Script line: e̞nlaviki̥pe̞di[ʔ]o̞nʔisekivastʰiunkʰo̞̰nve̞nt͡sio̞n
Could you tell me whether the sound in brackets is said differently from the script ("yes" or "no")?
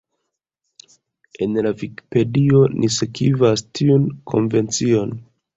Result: yes